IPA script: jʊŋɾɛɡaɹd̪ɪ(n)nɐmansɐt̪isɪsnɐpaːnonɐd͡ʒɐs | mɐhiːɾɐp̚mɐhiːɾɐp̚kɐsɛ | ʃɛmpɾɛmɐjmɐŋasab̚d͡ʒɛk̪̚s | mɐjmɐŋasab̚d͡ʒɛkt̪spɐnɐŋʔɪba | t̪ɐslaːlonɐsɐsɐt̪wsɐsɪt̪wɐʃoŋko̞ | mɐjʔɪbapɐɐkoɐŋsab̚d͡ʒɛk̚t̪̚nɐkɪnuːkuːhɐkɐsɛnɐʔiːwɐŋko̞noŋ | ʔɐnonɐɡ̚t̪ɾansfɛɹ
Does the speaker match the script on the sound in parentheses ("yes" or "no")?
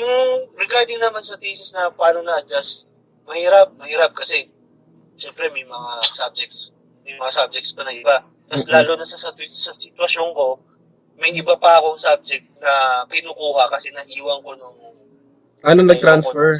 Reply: no